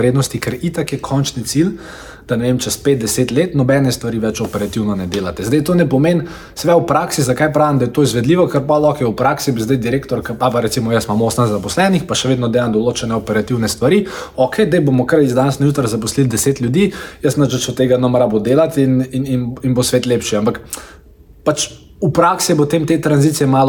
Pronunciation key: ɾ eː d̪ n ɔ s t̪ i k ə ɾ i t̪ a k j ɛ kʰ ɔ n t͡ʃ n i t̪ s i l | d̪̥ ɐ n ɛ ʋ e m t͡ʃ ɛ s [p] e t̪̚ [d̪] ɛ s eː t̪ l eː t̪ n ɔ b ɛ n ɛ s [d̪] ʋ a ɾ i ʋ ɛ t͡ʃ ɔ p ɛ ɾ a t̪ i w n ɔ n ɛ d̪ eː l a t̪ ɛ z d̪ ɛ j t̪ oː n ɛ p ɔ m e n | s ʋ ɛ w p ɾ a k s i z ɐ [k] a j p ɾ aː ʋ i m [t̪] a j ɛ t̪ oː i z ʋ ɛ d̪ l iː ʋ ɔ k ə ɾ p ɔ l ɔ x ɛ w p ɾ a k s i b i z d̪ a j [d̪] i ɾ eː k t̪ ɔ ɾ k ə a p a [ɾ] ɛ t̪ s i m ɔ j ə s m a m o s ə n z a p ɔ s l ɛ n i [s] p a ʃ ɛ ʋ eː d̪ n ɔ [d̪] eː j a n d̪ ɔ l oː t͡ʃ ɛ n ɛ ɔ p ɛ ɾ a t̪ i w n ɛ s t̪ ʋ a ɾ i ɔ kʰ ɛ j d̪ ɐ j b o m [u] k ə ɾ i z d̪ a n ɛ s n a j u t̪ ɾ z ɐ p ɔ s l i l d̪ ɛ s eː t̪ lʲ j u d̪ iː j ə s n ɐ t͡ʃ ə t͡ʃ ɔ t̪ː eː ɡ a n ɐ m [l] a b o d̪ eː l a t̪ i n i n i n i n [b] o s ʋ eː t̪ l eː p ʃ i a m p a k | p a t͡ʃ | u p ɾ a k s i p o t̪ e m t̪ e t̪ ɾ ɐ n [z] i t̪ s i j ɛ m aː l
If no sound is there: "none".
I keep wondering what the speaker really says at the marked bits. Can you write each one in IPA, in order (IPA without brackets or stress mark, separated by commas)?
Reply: p, d̪, t̪, k, d̪, d̪, ɾ, x, d̪, ɔ, ɾ, b, z